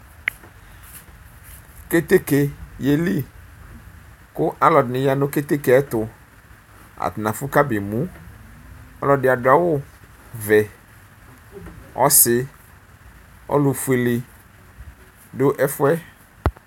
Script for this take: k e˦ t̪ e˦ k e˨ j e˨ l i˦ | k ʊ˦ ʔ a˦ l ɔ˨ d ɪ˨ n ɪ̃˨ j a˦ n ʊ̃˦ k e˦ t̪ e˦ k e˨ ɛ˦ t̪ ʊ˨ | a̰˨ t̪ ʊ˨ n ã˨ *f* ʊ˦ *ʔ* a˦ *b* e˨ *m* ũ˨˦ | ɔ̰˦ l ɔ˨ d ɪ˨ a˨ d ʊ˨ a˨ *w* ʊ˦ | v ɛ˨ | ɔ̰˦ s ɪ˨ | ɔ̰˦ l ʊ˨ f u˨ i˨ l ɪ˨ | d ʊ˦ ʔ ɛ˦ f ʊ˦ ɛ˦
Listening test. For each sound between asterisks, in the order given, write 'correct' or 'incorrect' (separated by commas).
correct, incorrect, correct, correct, correct